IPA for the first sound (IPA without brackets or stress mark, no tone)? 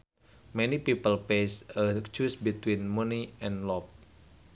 m